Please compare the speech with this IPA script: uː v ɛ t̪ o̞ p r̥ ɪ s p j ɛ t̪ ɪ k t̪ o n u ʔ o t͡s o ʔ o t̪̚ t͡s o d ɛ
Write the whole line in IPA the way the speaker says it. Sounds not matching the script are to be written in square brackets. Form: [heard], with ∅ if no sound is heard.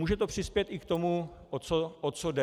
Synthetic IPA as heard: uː [ʒ] ɛ t̪ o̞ p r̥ ɪ s p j ɛ t̪ ɪ k t̪ o [m] u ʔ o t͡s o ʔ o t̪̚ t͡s o d ɛ